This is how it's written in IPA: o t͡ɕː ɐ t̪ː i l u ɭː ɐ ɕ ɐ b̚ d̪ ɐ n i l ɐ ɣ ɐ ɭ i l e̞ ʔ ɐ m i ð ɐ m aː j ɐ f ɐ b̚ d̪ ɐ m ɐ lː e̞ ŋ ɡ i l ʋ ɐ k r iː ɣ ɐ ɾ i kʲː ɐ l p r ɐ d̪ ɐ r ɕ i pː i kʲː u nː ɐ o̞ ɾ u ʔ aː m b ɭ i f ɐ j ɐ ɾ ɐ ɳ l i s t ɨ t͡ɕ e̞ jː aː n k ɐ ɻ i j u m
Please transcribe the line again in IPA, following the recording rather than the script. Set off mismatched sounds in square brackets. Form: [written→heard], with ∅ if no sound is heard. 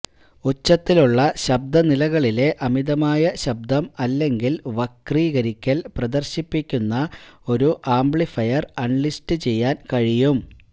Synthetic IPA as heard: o t͡ɕː ɐ t̪ː i l u ɭː ɐ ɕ ɐ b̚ d̪ ɐ n i l ɐ ɣ ɐ ɭ i l e̞ ʔ ɐ m i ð ɐ m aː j ɐ [f→ɕ] ɐ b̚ d̪ ɐ m ɐ lː e̞ ŋ ɡ i l ʋ ɐ k r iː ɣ ɐ ɾ i kʲː ɐ l p r ɐ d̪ ɐ r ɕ i pː i kʲː u nː ɐ o̞ ɾ u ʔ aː m b ɭ i f ɐ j ɐ [ɾ→r] ɐ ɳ l i s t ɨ t͡ɕ e̞ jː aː n k ɐ ɻ i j u m